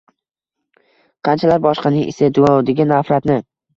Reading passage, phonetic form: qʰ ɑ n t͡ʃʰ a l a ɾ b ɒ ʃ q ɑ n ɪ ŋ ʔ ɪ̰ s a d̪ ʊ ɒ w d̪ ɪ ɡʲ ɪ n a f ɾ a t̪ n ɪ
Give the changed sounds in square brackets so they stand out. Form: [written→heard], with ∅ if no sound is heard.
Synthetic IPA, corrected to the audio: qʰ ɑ n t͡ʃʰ a l a ɾ b ɒ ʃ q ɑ n ɪ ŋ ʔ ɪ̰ s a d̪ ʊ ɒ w d̪ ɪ ɡʲ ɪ n a f ɾ a t̪ n ɪ